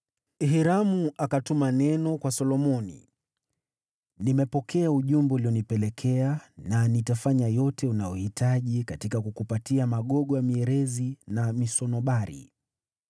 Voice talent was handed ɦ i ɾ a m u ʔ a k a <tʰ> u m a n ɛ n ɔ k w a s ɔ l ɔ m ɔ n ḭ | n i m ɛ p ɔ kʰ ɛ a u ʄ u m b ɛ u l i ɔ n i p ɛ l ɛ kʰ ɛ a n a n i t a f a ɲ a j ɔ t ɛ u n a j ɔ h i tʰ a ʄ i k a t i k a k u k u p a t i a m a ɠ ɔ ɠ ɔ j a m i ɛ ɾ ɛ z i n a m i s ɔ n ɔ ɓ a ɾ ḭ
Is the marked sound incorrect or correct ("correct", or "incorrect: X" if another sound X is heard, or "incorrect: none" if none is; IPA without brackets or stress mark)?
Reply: incorrect: t